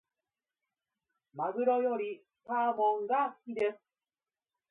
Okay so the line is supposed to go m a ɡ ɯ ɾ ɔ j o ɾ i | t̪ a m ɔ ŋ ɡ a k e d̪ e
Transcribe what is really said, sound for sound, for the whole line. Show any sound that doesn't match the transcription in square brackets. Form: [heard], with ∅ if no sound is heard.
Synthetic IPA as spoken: m a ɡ ɯ ɾ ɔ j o ɾ i | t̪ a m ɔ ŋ ɡ a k [i] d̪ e